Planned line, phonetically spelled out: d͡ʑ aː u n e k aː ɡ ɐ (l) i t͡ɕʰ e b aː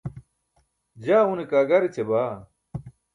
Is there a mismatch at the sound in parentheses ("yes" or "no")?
yes